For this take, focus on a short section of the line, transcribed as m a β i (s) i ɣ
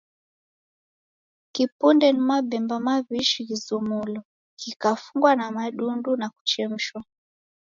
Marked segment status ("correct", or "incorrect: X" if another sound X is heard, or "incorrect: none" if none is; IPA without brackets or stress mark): incorrect: ʃ